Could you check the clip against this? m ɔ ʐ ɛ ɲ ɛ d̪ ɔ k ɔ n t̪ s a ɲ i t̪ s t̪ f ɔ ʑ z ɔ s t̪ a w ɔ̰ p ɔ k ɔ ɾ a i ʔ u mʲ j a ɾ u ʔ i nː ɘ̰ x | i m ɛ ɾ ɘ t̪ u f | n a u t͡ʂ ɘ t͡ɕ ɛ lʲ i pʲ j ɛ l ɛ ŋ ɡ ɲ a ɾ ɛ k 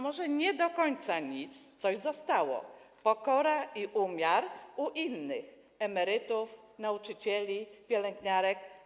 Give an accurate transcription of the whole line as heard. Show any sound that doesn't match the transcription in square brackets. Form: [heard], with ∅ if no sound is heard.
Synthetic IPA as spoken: m ɔ ʐ ɛ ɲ ɛ d̪ ɔ k ɔ [ɲ] t̪ s a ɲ i t̪ s t̪ [s] ɔ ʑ z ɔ s t̪ a w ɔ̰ p ɔ k ɔ ɾ a i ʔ u mʲ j a ɾ u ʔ i nː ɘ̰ x | [ɛ] m ɛ ɾ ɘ t̪ u f | n a u t͡ʂ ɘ t͡ɕ ɛ lʲ i pʲ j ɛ l ɛ ŋ ɡ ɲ a ɾ ɛ k

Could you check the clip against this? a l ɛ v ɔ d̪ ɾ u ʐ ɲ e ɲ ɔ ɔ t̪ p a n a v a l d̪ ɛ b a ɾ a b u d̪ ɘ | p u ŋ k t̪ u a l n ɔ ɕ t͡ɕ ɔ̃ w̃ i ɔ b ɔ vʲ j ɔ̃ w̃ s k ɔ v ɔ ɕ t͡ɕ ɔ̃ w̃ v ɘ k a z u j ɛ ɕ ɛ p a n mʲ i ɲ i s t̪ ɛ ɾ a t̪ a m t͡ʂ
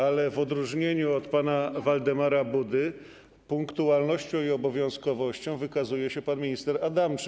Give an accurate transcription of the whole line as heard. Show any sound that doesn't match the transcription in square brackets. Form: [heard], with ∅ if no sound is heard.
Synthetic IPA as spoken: a l ɛ v ɔ d̪ ɾ u ʐ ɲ e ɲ [u] ɔ t̪ p a n a v a l d̪ ɛ [m] a ɾ a b u d̪ ɘ | p u ŋ k t̪ u a l n ɔ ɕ t͡ɕ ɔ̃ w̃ i ɔ b ɔ vʲ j ɔ̃ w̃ s k ɔ v ɔ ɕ t͡ɕ ɔ̃ w̃ v ɘ k a z u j ɛ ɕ ɛ p a n mʲ i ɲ i s t̪ ɛ ɾ a [d̪] a m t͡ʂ

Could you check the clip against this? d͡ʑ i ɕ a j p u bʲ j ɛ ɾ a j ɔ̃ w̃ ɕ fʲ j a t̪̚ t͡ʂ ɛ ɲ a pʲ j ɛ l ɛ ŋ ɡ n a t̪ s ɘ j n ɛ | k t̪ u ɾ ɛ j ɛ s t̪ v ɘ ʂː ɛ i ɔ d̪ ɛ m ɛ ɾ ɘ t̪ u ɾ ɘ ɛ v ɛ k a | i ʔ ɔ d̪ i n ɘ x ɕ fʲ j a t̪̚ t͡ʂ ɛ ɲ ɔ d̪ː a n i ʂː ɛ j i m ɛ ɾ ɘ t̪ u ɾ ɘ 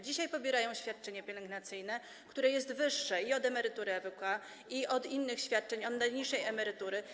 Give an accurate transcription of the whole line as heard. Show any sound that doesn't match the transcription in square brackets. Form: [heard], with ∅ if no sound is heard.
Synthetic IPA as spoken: d͡ʑ i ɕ a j p [ɔ] bʲ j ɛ ɾ a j ɔ̃ w̃ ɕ fʲ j a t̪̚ t͡ʂ ɛ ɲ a pʲ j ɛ l ɛ ŋ ɡ n a t̪ s ɘ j n ɛ | k t̪ u ɾ ɛ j ɛ s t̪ v ɘ ʂː ɛ i ɔ d̪ ɛ m ɛ ɾ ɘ t̪ u ɾ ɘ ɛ v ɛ k a | i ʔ ɔ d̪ i [nː] ɘ x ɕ fʲ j a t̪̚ t͡ʂ ɛ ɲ ɔ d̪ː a [ɲ] i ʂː ɛ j [ɛ] m ɛ ɾ ɘ t̪ u ɾ ɘ

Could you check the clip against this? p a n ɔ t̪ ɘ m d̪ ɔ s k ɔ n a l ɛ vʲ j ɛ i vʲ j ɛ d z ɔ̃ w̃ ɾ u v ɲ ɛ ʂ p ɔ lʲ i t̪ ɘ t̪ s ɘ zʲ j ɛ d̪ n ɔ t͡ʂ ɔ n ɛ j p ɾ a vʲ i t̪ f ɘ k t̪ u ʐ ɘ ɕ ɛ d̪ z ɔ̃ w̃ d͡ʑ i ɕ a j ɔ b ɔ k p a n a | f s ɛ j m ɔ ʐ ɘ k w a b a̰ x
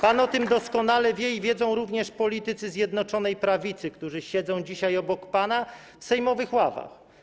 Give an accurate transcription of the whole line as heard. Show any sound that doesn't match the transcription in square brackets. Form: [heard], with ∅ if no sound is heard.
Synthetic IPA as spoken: p a n ɔ t̪ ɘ m d̪ ɔ s k ɔ n a l ɛ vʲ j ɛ i vʲ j ɛ d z ɔ̃ w̃ ɾ u v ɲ ɛ ʂ p ɔ lʲ i t̪ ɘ t̪ s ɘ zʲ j ɛ d̪ n ɔ t͡ʂ ɔ n ɛ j p ɾ a vʲ i t̪ [s] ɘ k t̪ u ʐ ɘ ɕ ɛ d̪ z ɔ̃ w̃ d͡ʑ i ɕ a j ɔ b ɔ k p a n a | f s ɛ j m ɔ [v] ɘ [x] w a [v] a̰ x

